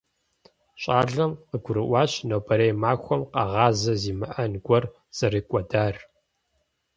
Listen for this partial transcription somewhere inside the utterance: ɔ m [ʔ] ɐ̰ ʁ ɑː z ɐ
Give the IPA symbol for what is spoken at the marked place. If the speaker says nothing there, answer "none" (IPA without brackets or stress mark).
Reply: q